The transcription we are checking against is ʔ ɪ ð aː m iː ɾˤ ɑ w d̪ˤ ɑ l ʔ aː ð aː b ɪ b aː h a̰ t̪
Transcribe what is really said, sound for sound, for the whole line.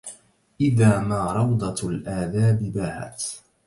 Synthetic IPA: ʔ ɪ ð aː m aː ɾˤ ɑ w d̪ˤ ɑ l ʔ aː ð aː b ɪ b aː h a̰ t̪